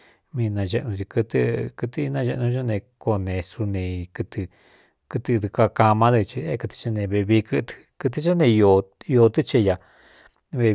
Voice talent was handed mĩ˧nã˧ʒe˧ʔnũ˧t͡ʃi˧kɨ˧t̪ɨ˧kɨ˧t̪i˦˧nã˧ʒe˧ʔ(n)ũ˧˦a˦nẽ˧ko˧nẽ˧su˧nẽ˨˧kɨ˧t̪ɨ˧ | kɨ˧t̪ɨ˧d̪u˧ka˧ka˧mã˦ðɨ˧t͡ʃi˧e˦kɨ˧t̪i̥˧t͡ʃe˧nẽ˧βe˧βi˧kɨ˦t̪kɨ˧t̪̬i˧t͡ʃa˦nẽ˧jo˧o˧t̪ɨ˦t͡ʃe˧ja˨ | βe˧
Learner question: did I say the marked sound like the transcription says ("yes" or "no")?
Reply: yes